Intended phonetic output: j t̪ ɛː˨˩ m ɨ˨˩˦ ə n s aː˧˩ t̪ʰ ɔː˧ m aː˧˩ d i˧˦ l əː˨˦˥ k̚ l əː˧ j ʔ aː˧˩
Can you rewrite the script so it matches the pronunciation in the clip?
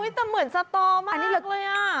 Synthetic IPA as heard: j t̪ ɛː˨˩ m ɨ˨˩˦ ə n s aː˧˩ t̪ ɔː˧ m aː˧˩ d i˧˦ l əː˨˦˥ k̚ l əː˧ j ʔ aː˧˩